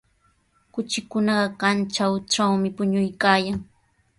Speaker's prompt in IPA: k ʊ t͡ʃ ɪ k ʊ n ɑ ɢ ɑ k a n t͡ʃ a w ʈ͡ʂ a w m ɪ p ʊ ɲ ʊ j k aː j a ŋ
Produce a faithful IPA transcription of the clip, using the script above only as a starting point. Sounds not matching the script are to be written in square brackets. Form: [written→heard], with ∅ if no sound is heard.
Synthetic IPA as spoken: k ʊ t͡ʃ ɪ k ʊ n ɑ ɢ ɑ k a n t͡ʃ a w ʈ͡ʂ a w m ɪ p ʊ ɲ ʊ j k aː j a ŋ